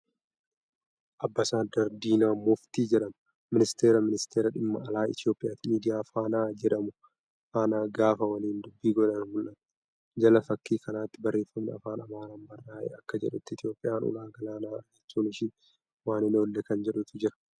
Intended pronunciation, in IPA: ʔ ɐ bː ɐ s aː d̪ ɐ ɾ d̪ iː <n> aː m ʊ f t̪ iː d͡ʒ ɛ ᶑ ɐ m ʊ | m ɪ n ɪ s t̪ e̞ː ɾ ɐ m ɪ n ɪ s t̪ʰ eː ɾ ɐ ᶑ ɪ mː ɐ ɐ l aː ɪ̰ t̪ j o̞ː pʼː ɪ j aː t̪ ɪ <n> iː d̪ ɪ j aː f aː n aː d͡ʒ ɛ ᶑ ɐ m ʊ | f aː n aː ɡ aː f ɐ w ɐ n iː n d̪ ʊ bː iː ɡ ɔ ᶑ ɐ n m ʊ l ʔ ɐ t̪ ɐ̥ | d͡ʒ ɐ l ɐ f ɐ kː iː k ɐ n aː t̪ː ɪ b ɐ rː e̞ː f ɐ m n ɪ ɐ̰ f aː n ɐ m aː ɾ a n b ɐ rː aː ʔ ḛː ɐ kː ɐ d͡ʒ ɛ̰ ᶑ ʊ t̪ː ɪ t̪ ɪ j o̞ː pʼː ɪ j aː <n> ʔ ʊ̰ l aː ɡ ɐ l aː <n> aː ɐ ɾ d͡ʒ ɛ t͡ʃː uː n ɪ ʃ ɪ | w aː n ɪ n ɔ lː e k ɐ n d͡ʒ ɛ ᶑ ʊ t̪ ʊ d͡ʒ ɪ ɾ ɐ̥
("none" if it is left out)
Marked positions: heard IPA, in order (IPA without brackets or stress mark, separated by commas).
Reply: n, m, n, n